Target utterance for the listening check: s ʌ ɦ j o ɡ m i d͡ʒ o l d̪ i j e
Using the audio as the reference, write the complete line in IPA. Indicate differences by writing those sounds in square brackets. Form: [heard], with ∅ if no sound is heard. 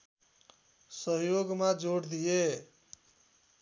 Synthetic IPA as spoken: s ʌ ɦ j o ɡ m [a] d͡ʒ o [ɽ] d̪ i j e